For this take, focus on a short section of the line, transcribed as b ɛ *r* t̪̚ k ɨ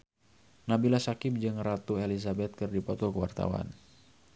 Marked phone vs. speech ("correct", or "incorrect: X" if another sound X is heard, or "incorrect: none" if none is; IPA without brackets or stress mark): incorrect: none